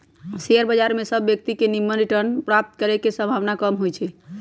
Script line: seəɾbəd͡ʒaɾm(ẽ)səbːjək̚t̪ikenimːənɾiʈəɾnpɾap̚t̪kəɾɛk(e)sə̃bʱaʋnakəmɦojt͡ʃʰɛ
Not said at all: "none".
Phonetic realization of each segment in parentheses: e, e

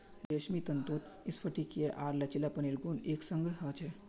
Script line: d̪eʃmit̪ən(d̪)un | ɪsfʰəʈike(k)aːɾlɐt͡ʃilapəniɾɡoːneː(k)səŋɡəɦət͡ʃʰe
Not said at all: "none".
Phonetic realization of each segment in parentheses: t̪, ʔ, k

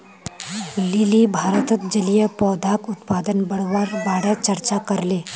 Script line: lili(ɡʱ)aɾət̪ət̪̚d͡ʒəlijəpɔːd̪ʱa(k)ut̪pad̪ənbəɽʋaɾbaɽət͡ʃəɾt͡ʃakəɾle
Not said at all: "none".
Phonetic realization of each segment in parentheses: bʱ, k

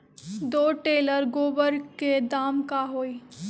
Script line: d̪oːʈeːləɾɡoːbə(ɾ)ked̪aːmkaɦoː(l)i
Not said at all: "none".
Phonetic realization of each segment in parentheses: ɾ, none

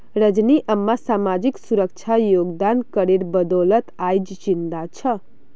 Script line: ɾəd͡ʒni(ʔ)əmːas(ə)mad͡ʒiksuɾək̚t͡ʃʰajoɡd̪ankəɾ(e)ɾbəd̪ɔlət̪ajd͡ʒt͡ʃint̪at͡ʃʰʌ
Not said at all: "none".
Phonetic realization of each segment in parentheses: ʔ, a, e

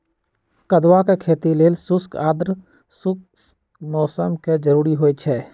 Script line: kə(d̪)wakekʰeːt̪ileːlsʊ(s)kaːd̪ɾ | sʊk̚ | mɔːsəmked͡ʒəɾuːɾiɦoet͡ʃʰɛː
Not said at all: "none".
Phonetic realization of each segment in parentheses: d̪, s

